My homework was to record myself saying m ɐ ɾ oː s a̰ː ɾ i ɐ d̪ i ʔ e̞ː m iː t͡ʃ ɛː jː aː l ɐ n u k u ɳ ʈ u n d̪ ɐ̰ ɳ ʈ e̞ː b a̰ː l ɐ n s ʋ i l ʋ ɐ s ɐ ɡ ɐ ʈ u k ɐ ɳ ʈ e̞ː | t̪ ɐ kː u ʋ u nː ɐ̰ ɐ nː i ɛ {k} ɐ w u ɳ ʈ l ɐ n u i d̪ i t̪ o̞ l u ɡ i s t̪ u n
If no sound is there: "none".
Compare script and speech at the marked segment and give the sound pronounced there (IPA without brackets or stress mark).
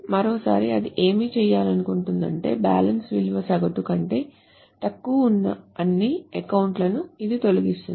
k